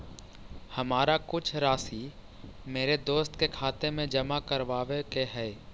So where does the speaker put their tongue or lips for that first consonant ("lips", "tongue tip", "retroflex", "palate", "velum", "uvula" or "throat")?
throat